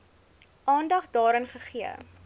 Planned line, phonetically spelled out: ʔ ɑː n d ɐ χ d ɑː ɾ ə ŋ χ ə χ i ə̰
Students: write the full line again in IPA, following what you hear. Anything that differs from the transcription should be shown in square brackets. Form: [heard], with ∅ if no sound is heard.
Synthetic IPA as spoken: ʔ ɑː n d ɐ χ d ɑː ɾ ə [n] χ ə χ i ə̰